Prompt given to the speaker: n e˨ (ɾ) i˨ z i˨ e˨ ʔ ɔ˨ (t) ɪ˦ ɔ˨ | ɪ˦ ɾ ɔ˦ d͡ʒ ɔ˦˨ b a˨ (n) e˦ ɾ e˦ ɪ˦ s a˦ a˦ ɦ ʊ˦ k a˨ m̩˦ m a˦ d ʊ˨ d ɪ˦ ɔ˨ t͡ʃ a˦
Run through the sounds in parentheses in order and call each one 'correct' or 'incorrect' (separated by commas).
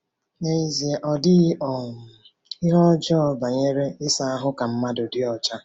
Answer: incorrect, incorrect, incorrect